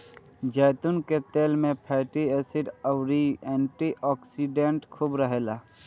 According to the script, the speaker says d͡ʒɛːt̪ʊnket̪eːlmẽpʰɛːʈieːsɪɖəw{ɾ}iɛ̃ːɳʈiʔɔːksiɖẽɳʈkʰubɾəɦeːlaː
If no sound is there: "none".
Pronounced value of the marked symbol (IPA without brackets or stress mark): ɾ